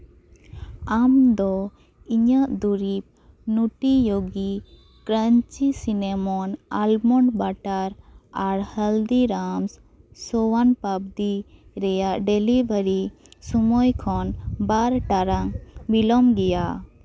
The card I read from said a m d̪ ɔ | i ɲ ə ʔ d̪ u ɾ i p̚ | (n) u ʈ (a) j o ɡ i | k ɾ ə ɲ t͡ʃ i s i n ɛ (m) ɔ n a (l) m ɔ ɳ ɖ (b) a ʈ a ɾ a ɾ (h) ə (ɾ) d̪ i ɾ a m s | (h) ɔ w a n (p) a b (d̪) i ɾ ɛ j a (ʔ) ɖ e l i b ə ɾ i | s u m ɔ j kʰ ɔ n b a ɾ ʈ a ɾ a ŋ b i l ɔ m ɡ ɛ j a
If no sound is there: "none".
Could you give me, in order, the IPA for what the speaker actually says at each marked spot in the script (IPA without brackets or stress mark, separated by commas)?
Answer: n, i, m, l, b, h, l, s, p, d̪, ʔ